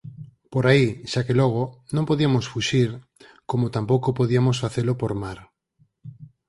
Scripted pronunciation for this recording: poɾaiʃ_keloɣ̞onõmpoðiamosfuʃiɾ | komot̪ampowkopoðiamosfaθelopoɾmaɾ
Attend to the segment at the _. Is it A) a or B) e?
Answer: A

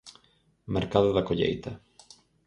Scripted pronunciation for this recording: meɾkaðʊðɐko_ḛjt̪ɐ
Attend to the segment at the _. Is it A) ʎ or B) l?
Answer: A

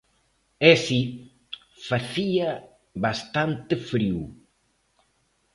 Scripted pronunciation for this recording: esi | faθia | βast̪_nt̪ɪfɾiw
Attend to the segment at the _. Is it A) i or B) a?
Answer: B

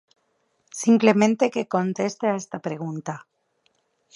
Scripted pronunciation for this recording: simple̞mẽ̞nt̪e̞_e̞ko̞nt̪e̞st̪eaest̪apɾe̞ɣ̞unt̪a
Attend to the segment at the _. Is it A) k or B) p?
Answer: A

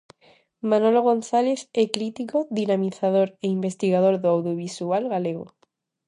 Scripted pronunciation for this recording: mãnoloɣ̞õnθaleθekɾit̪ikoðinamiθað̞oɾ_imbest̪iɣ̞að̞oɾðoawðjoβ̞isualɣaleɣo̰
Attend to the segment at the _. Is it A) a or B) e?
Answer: B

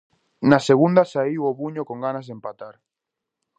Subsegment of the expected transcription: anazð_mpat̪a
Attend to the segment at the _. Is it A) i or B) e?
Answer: B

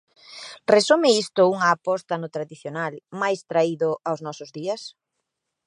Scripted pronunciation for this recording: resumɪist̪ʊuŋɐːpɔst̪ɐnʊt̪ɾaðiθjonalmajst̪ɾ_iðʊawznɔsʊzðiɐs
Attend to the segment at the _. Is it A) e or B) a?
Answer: B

